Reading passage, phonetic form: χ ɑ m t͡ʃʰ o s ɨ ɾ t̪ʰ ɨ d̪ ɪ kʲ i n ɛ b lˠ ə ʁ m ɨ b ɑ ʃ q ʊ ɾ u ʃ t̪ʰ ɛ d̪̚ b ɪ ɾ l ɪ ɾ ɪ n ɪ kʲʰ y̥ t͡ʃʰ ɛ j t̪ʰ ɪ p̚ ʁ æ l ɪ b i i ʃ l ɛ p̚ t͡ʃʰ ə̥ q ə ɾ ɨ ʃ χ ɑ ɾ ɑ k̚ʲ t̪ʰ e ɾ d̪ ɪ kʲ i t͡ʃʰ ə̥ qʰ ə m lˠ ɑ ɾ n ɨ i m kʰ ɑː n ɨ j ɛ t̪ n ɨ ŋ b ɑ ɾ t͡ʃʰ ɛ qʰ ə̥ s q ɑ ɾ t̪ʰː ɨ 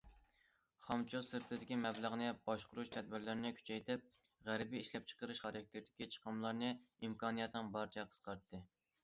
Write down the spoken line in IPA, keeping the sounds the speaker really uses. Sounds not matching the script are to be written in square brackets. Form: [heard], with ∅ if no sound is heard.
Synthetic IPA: χ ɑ m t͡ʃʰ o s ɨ ɾ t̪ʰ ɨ d̪ ɪ kʲ i [m] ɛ b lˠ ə ʁ [n] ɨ b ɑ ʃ q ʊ ɾ u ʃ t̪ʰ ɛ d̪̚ b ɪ ɾ l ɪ ɾ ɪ n ɪ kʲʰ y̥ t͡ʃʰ ɛ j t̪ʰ ɪ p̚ ʁ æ [ɾ] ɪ b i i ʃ l ɛ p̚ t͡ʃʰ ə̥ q ə ɾ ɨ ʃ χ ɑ ɾ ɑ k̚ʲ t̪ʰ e ɾ d̪ ɪ kʲ i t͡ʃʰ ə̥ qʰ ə m lˠ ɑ ɾ n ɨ i m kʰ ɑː n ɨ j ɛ t̪ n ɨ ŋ b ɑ ɾ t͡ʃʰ ɛ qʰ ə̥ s q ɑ ɾ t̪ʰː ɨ